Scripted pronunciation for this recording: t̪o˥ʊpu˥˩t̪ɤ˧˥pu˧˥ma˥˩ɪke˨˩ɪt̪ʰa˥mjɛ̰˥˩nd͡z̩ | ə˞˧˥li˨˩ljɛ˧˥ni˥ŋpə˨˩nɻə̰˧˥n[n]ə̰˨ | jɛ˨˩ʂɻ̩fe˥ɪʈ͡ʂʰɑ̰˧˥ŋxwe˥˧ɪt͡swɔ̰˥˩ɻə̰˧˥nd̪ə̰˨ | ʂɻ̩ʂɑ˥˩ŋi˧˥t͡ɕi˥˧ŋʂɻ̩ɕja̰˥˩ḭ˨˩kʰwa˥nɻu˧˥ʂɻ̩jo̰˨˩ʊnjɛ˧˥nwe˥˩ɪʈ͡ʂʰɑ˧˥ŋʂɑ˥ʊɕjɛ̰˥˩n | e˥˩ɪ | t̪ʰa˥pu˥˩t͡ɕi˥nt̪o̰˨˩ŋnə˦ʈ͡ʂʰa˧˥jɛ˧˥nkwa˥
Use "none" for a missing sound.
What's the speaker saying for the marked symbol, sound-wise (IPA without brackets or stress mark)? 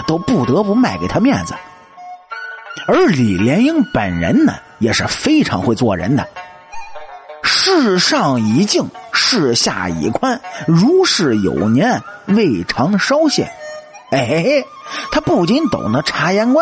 n